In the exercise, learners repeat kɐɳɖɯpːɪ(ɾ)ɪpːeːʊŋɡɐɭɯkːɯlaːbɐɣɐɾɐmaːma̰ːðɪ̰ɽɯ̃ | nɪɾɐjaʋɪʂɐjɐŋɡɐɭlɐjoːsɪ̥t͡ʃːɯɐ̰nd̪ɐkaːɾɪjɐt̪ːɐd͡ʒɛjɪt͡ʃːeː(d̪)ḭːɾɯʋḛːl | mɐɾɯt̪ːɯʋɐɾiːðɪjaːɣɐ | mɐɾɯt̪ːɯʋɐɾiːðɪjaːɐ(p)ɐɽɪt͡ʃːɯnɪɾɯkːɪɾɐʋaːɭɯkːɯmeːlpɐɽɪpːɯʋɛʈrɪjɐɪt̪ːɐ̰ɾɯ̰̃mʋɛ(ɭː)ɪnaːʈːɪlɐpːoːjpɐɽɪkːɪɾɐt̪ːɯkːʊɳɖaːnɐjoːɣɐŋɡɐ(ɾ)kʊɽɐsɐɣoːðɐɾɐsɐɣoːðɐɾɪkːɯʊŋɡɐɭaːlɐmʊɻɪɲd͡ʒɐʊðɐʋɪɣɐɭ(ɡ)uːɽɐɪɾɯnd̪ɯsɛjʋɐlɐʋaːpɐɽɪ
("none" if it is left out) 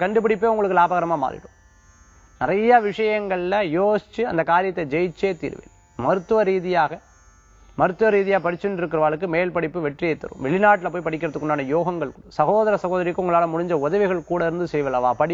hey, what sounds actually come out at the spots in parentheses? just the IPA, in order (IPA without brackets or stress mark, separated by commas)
ɽ, t̪, p, ɭ, ɭ, k